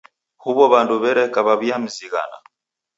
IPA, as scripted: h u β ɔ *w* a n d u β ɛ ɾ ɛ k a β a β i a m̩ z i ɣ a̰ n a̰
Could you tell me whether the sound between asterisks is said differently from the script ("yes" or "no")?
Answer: yes